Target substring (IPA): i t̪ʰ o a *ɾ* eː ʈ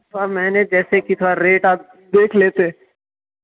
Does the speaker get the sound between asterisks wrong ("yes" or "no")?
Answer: no